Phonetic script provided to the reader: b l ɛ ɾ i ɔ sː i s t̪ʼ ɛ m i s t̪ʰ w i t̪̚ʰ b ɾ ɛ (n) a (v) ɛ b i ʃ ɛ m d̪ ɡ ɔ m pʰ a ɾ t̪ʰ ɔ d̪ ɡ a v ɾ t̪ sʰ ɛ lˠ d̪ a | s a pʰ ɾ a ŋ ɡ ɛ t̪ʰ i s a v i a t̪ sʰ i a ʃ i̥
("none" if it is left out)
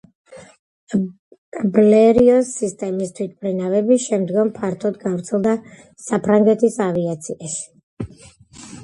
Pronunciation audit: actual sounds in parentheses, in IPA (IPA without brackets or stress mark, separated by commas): n, v